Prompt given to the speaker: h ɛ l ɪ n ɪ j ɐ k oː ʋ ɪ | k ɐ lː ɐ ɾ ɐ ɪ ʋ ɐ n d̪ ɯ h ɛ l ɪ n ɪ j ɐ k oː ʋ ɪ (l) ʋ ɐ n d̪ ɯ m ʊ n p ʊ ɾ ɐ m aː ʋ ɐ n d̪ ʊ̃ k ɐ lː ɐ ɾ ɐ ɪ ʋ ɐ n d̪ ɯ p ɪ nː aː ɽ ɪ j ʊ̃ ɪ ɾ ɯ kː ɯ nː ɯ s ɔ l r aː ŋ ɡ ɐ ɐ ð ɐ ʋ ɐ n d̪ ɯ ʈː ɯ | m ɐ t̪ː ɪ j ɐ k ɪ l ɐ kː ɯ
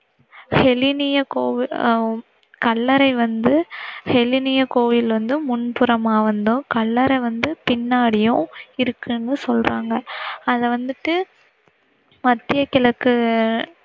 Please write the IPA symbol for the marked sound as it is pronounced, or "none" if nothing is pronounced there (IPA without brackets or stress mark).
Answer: l